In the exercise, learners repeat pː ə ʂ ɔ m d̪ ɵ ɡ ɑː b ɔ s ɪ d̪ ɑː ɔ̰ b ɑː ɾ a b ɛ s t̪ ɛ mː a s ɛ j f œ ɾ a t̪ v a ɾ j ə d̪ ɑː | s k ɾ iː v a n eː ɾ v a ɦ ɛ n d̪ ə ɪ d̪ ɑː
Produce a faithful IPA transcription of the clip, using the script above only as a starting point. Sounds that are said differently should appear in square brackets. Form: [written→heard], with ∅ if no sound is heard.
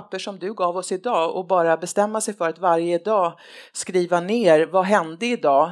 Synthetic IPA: pː ə ʂ ɔ m d̪ ɵ ɡ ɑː [b→v] ɔ s ɪ d̪ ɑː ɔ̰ b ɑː ɾ a b ɛ s t̪ ɛ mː a s ɛ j f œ ɾ a t̪ v a ɾ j ə d̪ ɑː | s k ɾ iː v a n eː ɾ v a ɦ ɛ n d̪ ə ɪ d̪ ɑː